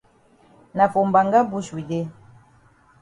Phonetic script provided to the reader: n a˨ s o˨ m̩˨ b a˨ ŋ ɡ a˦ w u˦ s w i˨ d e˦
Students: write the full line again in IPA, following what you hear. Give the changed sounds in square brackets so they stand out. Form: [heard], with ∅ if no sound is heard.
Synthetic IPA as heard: n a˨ [f] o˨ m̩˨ b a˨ ŋ ɡ a˦ [b] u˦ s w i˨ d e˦